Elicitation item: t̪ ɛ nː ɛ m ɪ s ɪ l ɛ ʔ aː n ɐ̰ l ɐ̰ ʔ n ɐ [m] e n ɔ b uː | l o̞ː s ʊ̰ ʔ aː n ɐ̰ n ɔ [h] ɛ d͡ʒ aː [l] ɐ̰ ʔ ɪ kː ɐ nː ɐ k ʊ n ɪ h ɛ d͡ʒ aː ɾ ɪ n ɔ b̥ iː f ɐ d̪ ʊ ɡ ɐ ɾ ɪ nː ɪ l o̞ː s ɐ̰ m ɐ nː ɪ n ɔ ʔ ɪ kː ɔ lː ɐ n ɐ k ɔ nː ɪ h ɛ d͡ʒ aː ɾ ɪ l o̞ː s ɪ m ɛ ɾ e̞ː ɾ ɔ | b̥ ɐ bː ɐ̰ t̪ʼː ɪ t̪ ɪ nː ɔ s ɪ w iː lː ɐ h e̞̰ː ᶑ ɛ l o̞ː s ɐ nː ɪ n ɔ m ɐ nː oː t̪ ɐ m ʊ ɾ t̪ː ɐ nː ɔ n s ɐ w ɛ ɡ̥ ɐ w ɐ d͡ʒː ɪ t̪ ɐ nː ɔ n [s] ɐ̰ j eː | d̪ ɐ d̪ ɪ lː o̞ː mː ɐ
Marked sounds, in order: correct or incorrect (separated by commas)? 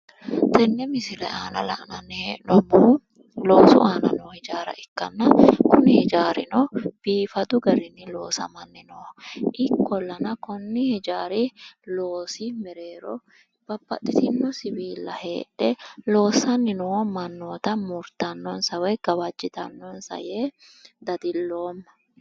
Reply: incorrect, correct, incorrect, correct